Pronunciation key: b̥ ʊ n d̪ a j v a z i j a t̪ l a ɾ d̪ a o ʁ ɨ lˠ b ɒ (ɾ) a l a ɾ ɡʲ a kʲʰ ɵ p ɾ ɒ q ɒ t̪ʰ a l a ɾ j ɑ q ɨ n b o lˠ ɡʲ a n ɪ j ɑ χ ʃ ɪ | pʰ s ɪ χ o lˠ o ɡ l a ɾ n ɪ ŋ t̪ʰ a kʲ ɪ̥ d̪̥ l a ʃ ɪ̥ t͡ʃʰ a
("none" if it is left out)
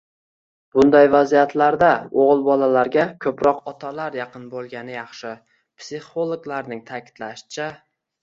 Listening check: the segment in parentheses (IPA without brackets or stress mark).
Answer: l